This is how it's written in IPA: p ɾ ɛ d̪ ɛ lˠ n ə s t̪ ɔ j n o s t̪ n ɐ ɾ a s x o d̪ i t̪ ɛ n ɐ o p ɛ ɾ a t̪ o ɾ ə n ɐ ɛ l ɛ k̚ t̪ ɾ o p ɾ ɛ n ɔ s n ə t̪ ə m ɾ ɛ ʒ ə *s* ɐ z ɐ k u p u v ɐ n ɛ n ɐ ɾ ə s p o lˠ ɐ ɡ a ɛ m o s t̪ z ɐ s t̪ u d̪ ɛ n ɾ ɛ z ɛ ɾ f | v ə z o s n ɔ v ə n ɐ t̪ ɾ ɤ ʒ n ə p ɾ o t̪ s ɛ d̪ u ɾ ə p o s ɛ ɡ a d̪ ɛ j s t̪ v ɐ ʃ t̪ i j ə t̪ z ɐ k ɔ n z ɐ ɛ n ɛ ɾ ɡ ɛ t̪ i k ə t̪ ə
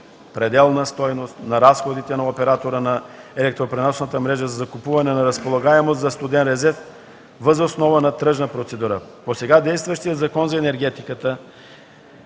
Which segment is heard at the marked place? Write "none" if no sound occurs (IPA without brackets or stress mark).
z